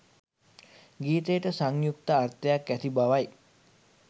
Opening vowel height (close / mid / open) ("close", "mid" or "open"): close